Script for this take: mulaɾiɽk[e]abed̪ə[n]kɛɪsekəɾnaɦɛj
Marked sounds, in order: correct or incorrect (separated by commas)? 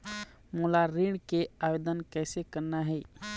correct, correct